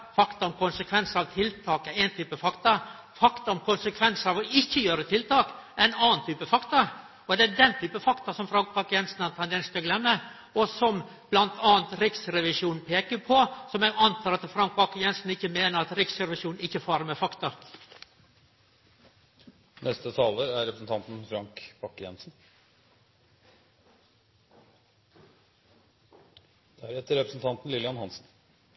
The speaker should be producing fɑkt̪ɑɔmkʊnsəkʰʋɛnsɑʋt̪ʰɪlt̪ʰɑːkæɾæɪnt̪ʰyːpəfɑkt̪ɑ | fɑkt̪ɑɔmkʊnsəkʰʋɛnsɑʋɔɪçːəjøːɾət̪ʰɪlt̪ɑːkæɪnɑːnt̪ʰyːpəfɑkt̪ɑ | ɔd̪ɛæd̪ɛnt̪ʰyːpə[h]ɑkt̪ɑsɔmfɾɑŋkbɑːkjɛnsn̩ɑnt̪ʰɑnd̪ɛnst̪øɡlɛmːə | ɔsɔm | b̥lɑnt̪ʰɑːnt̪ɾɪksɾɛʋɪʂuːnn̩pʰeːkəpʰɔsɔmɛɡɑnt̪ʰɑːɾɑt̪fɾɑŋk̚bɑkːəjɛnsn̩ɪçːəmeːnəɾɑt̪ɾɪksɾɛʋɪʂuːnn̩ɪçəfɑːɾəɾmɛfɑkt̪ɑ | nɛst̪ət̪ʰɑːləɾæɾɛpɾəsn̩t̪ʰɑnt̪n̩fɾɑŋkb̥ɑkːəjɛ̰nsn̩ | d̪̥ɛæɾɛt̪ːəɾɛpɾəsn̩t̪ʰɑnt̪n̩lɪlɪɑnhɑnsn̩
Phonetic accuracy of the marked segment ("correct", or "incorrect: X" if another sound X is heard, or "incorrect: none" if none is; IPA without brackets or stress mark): incorrect: f